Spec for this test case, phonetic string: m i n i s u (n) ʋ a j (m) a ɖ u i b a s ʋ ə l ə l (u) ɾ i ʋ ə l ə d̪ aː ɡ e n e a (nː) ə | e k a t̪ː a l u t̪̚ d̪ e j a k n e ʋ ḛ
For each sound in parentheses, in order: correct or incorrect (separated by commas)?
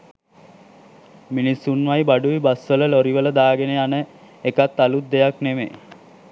correct, incorrect, incorrect, incorrect